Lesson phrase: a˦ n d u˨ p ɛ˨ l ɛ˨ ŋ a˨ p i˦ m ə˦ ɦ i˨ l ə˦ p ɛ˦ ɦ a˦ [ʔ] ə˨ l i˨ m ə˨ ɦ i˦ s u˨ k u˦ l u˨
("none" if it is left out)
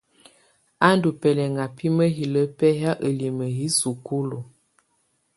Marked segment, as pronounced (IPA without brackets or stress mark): ʔ